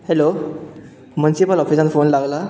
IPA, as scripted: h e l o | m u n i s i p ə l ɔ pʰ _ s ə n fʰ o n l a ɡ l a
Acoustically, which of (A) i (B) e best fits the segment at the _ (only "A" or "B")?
A